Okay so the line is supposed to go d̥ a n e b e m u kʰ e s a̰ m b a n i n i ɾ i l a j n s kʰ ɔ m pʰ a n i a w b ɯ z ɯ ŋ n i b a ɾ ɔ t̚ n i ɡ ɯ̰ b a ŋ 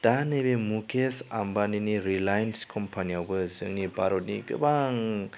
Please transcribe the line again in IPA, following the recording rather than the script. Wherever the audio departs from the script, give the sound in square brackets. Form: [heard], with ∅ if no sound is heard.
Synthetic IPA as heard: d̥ a n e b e m u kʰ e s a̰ m b a n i n i ɾ i l a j n s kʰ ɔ m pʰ a n i a w b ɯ z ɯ ŋ n i b a ɾ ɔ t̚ n i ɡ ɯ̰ b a ŋ